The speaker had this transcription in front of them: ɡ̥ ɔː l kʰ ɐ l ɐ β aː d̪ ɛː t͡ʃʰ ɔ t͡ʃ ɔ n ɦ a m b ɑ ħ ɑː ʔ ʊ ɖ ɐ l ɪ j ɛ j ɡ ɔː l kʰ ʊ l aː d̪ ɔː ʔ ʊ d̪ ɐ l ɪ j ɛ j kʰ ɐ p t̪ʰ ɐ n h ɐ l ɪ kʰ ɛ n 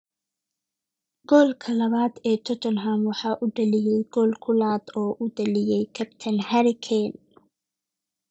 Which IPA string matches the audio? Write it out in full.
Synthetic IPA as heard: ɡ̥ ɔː l kʰ ɐ l ɐ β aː d̪ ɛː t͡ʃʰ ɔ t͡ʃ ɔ n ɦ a m w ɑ ħ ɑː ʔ ʊ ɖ ɐ l ɪ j ɛ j ɡ ɔː l kʰ ʊ l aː d̪ ɔː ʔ ʊ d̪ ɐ l ɪ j ɛ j kʰ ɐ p t̪ʰ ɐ n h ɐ ɾ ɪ kʰ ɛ n

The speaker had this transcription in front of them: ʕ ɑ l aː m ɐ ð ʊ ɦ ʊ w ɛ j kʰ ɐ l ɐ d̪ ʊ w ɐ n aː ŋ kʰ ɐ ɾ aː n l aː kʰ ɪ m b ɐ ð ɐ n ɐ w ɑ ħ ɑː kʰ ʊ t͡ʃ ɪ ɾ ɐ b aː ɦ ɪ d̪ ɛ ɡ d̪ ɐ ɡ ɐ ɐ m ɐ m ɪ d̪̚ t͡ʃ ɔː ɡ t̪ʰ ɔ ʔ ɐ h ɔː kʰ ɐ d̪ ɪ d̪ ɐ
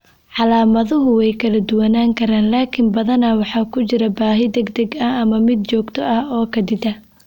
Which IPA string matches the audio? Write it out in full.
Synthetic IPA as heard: ʕ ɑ l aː m ɐ ð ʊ ɦ ʊ w ɛ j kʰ ɐ l ɐ d̪ ʊ w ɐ n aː ŋ kʰ ɐ ɾ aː n l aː kʰ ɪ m b ɐ ð ɐ n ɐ w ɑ ħ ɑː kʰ ʊ t͡ʃ ɪ ɾ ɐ b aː ɦ ɪ d̪ ɛ ɡ d̪ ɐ ɡ ɐ ɐ m ɐ m ɪ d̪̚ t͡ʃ ɔː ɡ t̪ʰ ɔ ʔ ɐ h ɔː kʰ ɐ d̪ ɪ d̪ ɐ

